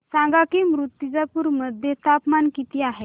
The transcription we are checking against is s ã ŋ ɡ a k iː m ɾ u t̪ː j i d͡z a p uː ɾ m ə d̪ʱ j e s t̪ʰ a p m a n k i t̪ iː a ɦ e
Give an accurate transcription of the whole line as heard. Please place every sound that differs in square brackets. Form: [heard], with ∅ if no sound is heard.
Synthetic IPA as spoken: s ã ŋ ɡ a k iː m ɾ u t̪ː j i d͡z a p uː ɾ m ə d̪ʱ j e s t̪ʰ a p m a n k i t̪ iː a ɦ e